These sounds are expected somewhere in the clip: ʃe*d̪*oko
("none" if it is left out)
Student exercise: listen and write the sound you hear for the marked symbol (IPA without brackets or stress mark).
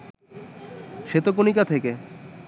t̪